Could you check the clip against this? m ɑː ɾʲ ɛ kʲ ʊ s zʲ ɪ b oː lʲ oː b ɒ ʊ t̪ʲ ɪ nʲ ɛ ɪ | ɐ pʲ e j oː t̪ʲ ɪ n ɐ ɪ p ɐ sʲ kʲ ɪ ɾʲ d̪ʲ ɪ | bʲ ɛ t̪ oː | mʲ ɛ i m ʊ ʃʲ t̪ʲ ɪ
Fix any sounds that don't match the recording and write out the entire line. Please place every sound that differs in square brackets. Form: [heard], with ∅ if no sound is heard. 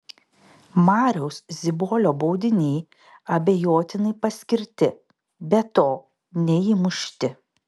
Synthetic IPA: m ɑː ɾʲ ɛ [∅] ʊ s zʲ ɪ b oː lʲ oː b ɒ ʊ [d̪ʲ] ɪ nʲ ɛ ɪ | ɐ [bʲ] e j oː t̪ʲ ɪ n ɐ ɪ p ɐ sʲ kʲ ɪ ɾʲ [t̪ʲ] ɪ | bʲ ɛ t̪ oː | [nʲ] ɛ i m ʊ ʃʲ t̪ʲ ɪ